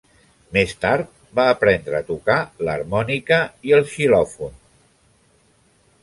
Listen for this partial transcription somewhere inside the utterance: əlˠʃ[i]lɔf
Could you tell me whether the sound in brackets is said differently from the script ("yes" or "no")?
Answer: no